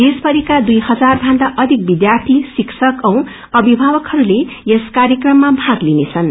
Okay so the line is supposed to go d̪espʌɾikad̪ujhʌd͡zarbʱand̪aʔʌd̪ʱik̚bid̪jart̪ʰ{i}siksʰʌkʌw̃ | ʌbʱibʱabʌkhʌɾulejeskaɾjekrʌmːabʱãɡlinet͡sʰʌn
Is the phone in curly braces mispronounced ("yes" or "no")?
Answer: no